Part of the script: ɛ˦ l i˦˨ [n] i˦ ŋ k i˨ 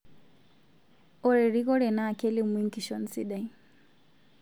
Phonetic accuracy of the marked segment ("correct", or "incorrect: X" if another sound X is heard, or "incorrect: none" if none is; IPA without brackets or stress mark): incorrect: m